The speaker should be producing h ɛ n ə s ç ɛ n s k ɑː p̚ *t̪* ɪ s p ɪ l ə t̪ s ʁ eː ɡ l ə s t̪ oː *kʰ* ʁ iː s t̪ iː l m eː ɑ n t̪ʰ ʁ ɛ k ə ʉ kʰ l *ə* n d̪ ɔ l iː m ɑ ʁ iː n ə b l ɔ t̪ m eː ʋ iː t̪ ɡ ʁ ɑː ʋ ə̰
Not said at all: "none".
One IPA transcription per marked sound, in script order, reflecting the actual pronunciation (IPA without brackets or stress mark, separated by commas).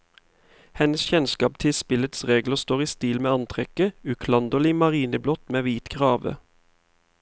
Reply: t̪ʰ, none, ɑ